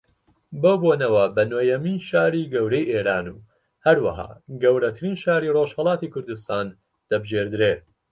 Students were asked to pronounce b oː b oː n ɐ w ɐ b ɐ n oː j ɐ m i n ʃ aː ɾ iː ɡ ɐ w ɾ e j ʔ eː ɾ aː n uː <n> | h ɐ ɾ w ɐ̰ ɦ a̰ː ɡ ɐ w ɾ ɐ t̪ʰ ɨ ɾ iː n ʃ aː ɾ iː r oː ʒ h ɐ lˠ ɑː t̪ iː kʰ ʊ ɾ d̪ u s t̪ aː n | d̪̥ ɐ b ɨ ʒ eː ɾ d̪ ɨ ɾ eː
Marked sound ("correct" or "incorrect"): incorrect